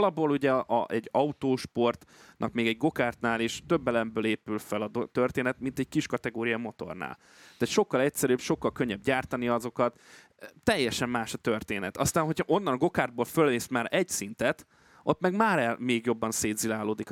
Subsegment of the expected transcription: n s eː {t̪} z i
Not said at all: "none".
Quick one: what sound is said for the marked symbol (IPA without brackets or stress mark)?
d̪